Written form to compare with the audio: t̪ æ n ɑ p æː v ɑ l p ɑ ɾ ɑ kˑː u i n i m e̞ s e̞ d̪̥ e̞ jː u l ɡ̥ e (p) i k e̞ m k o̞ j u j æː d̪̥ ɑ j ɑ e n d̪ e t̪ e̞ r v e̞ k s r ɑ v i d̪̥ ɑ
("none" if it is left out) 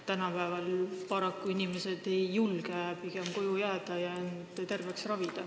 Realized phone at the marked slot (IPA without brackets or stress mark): p